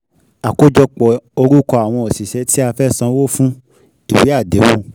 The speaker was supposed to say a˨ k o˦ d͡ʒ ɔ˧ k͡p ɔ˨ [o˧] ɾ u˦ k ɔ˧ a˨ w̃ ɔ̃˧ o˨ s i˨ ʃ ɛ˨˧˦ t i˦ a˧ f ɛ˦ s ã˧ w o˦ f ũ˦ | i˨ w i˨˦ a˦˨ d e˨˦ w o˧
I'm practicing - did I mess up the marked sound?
no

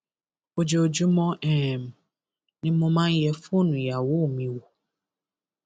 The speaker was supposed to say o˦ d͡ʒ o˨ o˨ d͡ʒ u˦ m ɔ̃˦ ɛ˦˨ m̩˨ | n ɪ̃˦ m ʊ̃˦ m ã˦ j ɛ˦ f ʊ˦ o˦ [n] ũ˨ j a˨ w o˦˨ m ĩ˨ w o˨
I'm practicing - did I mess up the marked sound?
no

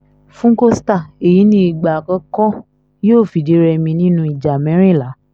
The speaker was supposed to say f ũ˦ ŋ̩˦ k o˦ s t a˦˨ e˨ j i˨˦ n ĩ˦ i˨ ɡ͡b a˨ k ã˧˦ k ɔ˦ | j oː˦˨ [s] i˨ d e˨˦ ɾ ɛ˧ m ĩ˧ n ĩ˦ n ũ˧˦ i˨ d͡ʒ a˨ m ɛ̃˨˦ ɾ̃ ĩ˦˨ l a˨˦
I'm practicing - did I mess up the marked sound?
yes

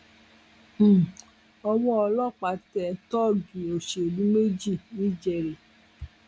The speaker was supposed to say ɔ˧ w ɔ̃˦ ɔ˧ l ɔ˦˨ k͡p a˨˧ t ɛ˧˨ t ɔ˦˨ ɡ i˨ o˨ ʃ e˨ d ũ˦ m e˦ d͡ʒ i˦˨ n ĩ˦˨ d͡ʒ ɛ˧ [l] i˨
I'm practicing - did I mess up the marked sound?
yes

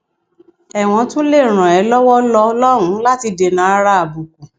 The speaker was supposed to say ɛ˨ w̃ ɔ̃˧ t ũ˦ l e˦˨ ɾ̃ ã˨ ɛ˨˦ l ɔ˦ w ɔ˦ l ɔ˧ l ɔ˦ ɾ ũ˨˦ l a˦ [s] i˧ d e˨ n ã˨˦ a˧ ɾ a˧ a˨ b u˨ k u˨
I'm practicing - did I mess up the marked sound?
yes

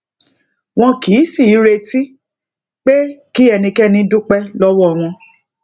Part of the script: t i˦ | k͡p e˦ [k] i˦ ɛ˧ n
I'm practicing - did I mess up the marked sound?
no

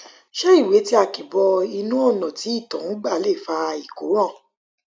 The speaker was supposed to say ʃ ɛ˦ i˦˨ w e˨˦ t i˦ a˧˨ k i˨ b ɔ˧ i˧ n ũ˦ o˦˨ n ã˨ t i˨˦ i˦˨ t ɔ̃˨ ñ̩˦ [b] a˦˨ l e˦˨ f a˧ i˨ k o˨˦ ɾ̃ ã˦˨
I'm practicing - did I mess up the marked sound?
yes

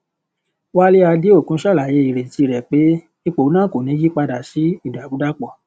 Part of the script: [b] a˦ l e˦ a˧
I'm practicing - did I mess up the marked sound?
yes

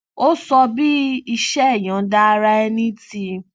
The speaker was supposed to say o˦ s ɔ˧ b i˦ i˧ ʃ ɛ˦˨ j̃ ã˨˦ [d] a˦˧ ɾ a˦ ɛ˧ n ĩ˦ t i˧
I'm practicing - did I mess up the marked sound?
no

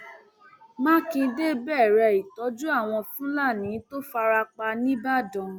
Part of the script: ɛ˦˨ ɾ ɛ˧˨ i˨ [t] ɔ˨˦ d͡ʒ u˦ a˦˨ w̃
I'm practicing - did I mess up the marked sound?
no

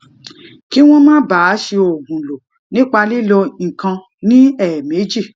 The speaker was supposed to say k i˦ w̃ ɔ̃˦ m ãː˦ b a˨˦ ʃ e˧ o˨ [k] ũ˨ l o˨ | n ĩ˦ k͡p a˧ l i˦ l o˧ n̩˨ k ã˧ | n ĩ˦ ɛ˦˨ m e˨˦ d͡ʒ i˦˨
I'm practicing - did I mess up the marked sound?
yes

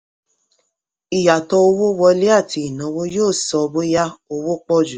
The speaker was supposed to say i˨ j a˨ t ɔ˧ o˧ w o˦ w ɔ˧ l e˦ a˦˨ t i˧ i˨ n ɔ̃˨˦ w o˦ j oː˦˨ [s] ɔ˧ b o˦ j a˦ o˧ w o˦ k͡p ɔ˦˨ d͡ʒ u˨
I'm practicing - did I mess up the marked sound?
no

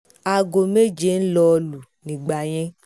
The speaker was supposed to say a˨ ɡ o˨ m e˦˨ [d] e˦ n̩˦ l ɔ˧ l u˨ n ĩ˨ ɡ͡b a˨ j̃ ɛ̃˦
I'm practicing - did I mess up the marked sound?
yes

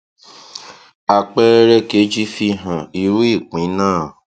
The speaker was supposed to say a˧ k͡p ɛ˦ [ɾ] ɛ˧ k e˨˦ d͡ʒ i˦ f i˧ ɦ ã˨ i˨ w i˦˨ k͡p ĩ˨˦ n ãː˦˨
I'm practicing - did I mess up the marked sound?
no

